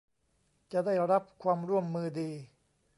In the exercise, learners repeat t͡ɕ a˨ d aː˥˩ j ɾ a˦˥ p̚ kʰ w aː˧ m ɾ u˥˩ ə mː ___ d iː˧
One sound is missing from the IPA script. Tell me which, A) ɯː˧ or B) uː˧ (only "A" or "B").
A